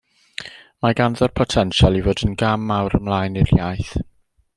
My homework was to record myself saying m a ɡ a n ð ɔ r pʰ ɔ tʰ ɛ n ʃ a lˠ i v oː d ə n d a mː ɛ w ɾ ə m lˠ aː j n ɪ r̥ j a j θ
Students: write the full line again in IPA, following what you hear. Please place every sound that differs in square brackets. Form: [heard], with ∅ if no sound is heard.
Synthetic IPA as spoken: m a ɡ a n ð ɔ r pʰ ɔ tʰ ɛ n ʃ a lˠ i v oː d ə n [ɡ] a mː [a] w ɾ ə m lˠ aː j n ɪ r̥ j a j θ